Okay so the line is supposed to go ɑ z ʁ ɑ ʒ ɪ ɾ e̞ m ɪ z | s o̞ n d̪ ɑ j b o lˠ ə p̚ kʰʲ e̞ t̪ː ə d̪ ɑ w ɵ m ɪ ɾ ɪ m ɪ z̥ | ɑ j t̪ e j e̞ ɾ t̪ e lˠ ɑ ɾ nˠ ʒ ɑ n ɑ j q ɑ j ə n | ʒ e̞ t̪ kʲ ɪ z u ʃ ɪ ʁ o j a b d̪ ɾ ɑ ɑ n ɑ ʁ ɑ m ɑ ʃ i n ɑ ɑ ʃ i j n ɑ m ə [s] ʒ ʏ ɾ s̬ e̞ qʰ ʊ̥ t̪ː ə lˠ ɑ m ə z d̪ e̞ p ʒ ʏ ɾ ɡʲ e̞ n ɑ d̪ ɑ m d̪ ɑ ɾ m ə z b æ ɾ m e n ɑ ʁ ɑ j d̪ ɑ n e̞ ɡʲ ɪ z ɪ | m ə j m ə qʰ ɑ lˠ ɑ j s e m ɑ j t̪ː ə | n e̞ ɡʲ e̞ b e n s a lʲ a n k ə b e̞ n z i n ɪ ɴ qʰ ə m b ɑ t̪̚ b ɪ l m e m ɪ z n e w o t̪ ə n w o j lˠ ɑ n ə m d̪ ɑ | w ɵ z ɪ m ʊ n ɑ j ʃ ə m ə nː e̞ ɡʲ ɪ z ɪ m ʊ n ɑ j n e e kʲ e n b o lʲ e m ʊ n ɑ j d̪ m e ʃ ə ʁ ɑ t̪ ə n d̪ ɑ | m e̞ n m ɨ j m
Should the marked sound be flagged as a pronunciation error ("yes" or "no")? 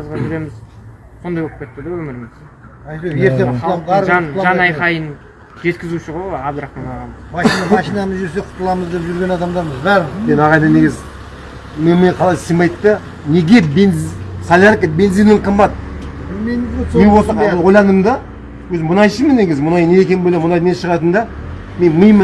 yes